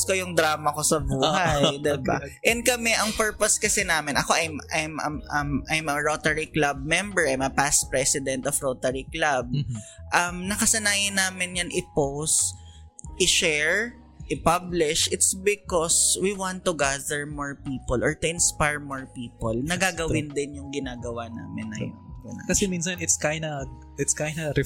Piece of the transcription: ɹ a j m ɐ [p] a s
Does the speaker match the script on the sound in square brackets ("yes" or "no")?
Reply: yes